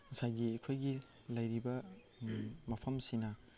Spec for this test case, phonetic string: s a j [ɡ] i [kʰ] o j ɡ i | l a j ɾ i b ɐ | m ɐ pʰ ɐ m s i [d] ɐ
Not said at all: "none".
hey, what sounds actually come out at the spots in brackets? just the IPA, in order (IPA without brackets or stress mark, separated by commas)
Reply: ɡ, kʰ, n